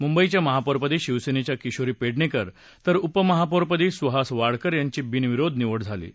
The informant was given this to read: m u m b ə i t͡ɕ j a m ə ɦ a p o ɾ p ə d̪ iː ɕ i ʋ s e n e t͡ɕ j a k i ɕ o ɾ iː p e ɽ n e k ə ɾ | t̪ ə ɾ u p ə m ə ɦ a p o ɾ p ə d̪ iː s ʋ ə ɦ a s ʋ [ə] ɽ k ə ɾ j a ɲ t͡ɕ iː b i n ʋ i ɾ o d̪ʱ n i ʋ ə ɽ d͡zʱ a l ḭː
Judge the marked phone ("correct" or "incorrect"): incorrect